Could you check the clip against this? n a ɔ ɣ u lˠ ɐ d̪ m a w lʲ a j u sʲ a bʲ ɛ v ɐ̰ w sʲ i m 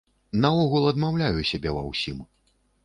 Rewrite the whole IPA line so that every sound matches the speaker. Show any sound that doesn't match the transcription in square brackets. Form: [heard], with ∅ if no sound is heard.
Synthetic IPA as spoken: n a ɔ ɣ u lˠ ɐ d̪ m a w lʲ a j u sʲ a bʲ ɛ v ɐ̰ w sʲ i m